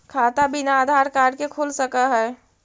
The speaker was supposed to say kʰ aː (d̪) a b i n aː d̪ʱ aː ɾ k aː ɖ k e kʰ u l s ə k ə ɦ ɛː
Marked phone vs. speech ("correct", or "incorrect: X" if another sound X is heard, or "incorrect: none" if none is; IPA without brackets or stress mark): incorrect: t̪